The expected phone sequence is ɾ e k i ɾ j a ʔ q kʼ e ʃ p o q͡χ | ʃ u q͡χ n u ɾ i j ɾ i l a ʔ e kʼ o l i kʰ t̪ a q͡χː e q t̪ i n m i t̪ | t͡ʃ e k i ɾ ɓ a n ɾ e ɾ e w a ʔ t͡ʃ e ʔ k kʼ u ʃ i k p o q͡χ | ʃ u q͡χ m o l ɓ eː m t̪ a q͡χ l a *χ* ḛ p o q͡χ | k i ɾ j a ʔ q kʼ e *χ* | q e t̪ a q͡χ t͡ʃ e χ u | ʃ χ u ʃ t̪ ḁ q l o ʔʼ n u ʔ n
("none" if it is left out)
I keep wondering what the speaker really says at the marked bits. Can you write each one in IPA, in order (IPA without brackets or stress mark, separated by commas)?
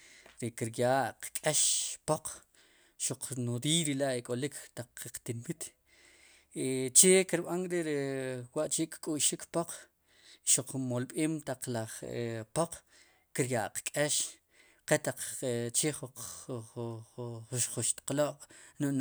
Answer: χ, ʃ